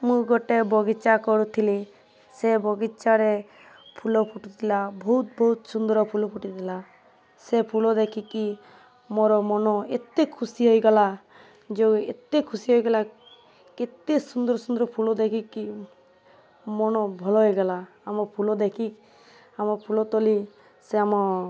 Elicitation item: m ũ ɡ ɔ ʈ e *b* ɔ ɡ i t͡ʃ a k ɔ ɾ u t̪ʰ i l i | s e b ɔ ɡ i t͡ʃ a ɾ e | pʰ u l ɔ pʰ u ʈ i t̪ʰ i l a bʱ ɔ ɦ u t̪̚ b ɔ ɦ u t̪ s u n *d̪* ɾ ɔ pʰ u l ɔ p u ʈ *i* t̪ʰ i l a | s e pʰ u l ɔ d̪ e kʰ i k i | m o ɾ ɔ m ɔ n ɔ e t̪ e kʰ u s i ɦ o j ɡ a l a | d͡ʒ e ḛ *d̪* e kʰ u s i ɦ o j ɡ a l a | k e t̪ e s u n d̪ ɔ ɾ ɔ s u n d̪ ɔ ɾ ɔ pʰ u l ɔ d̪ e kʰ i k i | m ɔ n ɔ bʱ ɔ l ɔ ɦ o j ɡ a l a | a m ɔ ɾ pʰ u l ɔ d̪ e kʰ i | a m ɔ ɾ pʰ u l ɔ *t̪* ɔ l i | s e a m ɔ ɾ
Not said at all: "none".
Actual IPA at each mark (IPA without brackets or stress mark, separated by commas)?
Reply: b, d̪, i, t̪, t̪